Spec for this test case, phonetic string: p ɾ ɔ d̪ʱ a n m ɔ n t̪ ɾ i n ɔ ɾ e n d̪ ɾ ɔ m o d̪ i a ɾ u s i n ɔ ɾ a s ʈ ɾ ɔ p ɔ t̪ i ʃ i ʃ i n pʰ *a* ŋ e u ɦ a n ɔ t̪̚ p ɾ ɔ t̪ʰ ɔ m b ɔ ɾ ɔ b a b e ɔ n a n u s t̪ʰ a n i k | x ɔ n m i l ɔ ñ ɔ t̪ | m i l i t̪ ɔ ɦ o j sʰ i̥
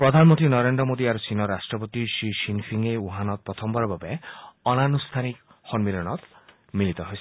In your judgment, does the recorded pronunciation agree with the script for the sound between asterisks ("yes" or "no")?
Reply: no